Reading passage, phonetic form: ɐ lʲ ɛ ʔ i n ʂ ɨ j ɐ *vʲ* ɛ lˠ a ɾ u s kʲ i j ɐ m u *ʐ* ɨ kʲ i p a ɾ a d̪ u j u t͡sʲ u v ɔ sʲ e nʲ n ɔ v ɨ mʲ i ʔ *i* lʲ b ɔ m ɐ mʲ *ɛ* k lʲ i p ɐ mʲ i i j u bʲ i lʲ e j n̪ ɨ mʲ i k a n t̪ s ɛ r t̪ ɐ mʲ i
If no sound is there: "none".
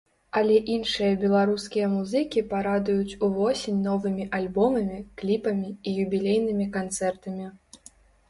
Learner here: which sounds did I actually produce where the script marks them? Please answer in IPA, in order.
bʲ, z, a, i

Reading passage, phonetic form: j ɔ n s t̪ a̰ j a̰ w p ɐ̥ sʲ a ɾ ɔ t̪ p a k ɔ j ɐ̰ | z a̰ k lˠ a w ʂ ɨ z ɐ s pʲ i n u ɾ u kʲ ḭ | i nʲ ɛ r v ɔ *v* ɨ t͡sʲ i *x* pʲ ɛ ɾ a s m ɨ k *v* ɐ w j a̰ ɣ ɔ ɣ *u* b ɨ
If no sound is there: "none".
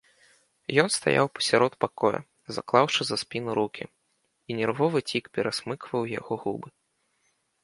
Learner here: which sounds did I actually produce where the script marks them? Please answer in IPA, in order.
v, k, v, u

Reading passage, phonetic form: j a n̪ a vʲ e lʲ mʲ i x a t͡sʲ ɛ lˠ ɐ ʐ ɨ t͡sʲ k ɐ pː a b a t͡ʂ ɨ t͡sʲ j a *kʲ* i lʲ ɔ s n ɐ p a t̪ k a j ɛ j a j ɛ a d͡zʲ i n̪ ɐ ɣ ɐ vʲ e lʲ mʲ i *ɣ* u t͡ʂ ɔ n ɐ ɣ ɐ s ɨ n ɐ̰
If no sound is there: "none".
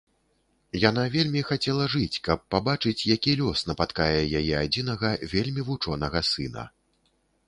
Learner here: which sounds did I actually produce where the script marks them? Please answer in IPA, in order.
kʲ, v

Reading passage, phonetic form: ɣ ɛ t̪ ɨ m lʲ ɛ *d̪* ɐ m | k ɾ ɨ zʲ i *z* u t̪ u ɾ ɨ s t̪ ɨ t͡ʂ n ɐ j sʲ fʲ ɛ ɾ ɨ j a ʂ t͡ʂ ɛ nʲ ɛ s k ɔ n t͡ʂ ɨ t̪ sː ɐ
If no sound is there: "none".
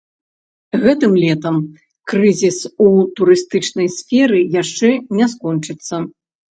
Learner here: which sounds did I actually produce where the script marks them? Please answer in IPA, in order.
t̪, s

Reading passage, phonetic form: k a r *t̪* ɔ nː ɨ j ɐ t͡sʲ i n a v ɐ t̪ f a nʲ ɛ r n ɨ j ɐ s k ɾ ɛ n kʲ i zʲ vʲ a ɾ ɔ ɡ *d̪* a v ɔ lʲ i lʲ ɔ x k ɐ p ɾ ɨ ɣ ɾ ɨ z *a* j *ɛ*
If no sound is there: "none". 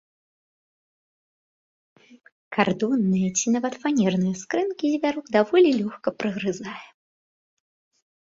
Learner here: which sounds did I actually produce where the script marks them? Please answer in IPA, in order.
d̪, d̪, a, ɛ

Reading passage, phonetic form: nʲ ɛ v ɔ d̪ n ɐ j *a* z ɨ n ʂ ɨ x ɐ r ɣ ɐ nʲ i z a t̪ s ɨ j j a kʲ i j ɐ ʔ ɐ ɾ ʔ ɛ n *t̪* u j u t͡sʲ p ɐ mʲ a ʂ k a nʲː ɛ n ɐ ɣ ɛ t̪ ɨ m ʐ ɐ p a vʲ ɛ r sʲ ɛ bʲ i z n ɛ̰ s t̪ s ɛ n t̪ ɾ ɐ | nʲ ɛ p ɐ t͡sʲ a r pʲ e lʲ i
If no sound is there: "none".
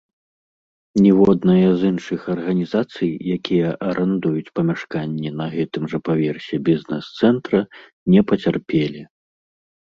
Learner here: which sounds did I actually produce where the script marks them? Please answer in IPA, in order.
ɐ, d̪

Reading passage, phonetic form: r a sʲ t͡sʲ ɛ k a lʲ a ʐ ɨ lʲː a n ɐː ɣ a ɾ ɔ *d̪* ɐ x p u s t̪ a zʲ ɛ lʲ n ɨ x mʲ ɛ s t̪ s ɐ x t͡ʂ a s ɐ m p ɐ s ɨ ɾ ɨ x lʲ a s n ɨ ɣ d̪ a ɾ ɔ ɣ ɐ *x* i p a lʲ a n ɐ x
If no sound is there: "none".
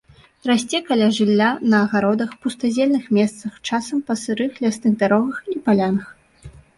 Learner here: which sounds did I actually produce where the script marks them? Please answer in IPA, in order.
d̪, x

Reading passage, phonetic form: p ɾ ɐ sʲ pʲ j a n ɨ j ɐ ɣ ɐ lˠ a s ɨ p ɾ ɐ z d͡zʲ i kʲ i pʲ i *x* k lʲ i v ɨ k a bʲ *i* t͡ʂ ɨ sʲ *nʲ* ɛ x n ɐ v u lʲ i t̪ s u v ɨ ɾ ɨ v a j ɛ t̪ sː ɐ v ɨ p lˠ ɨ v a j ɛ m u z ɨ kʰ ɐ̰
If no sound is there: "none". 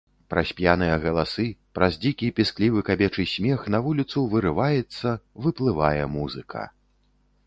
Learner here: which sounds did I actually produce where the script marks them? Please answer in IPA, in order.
s, ɛ, mʲ

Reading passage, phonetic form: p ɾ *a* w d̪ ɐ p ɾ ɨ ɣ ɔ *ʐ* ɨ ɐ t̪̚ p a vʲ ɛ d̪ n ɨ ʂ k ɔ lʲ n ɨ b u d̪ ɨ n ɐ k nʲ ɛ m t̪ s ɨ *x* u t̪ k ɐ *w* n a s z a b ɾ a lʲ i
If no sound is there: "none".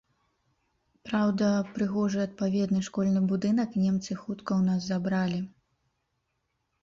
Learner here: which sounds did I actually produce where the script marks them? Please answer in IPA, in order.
a, ʐ, x, w

